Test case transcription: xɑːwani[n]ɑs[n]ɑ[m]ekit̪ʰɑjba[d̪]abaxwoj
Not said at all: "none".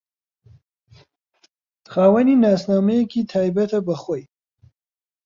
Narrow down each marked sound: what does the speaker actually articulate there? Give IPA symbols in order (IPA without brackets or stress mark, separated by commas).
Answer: n, n, m, t̪